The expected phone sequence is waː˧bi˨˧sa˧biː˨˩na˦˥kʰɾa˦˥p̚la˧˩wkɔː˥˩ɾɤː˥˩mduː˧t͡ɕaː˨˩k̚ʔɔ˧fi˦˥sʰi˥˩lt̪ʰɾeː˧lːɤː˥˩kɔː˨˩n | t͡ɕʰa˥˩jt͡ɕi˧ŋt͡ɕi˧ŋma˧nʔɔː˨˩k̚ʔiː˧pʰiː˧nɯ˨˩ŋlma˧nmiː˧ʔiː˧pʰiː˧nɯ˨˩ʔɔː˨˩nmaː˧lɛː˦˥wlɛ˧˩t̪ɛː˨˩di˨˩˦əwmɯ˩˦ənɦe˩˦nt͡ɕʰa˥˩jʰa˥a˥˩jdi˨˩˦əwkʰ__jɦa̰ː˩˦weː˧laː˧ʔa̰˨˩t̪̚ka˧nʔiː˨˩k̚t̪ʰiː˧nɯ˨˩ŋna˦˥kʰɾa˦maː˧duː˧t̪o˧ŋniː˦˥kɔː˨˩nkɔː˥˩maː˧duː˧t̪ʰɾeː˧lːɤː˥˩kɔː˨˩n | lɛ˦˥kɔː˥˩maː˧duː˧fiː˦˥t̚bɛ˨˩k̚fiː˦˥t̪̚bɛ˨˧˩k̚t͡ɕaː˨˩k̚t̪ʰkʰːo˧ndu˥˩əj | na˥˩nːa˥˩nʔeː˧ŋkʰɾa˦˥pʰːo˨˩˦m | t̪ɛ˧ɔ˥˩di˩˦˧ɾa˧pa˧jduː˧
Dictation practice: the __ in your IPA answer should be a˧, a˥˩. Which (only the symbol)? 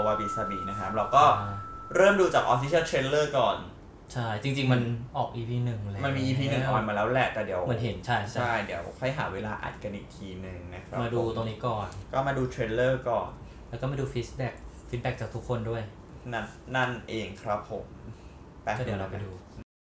a˥˩